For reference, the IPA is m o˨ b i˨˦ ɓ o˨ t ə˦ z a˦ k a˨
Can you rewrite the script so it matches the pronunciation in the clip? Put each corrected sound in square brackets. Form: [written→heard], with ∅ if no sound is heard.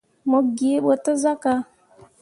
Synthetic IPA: m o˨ [b→ɡ] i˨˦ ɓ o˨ t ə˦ z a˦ k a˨